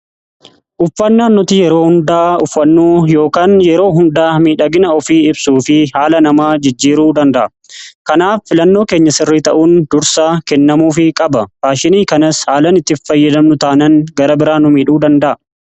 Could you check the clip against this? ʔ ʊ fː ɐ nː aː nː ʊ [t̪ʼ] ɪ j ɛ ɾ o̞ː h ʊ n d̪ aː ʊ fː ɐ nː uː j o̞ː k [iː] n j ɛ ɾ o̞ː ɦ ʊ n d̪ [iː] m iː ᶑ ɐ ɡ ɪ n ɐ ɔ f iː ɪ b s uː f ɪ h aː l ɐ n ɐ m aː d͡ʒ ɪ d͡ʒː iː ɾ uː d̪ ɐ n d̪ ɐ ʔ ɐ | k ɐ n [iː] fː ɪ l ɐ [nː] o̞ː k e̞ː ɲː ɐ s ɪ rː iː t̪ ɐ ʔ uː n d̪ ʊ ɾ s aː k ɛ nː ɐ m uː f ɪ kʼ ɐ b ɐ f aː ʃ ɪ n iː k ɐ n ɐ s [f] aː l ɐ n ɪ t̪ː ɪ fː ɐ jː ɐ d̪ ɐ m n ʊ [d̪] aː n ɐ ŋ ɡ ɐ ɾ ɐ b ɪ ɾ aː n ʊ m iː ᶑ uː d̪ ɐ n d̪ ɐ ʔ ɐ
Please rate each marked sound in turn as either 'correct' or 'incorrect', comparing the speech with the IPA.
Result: incorrect, incorrect, incorrect, incorrect, correct, incorrect, incorrect

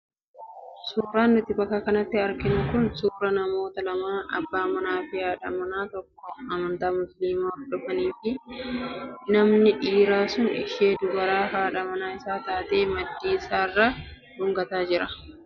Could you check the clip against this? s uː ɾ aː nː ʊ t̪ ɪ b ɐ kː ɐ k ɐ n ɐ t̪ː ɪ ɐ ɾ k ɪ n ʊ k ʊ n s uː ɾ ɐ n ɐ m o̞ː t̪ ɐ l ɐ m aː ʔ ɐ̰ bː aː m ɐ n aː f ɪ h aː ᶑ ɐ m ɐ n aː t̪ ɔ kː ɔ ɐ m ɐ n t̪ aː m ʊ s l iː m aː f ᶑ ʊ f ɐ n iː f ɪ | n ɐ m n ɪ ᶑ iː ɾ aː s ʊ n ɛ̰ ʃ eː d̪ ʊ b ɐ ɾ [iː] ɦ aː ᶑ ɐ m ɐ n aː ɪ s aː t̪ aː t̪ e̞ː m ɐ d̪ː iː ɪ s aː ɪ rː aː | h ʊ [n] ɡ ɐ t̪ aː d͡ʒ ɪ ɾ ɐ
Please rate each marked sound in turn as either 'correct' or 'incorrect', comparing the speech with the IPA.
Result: incorrect, incorrect

